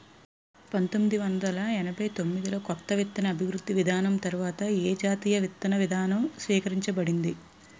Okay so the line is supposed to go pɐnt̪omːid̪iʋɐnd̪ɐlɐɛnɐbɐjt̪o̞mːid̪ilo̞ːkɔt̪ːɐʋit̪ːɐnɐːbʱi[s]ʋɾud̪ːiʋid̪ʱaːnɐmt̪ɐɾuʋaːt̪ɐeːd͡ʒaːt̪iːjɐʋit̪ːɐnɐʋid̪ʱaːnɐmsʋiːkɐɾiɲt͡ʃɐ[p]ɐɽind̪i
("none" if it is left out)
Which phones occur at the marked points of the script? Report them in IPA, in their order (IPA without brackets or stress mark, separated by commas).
none, b